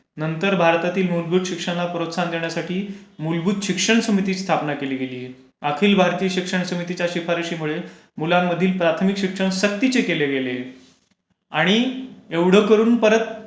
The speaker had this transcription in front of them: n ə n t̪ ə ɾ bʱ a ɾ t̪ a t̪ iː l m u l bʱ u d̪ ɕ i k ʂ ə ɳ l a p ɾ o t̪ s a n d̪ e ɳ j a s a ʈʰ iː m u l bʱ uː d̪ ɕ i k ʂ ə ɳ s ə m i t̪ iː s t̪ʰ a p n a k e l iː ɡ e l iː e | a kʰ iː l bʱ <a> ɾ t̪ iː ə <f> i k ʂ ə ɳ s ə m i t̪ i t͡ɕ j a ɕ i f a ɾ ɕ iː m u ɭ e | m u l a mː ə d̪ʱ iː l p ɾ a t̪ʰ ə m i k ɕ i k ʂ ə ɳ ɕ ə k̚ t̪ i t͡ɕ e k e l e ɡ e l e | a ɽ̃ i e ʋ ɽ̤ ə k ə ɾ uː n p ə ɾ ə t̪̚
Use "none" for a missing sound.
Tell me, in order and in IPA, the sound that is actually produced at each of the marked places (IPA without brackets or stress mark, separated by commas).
a, ɕ